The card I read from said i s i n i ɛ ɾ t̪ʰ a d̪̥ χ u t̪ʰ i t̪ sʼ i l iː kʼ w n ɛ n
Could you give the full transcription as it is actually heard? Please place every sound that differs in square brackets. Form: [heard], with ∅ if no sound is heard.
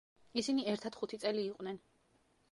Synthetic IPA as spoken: i s i n i ɛ ɾ t̪ʰ a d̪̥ χ u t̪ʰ i t̪ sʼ [ɛ] l iː [qʼ] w n ɛ n